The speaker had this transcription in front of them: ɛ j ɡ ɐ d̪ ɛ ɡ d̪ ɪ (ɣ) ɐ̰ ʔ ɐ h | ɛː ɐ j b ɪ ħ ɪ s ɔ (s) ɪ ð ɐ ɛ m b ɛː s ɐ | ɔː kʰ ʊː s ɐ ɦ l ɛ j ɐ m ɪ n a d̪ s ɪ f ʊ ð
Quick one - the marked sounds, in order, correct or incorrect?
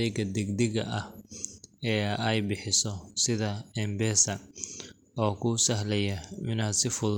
correct, correct

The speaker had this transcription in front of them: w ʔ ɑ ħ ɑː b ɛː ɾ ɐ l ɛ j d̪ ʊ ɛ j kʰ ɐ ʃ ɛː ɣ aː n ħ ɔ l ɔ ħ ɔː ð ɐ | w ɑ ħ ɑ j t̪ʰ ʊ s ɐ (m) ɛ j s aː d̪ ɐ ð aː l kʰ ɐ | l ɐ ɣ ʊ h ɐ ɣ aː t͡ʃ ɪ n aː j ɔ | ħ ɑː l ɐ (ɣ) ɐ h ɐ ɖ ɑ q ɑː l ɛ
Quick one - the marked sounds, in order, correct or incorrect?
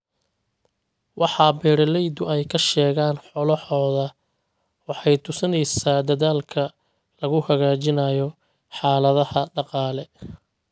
incorrect: n, incorrect: ð

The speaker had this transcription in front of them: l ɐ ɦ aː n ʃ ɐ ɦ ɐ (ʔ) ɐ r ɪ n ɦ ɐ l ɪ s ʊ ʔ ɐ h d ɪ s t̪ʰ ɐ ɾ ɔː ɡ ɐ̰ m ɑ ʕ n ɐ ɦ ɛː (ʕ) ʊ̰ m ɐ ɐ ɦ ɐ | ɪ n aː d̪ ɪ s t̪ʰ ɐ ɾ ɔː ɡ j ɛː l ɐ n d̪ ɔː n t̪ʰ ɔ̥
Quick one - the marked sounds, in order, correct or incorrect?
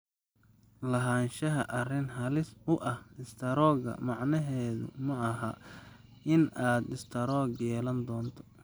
correct, incorrect: ð

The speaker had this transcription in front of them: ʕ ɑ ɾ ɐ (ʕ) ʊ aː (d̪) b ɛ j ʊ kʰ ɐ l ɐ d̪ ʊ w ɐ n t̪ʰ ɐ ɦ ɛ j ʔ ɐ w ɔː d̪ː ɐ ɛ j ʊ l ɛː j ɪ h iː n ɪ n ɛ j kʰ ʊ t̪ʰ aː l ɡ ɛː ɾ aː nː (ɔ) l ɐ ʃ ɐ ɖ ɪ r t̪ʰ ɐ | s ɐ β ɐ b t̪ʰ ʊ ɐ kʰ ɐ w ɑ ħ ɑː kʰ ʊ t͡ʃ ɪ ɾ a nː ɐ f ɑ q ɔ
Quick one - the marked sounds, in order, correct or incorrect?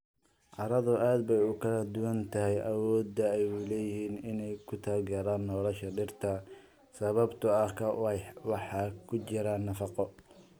incorrect: ð, correct, incorrect: ɔː

